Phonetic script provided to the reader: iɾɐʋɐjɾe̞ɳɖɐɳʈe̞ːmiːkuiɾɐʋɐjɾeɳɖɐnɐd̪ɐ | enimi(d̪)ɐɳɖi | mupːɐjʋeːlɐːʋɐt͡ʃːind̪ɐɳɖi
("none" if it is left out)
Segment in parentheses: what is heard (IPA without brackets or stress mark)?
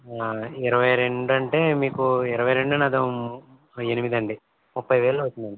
d̪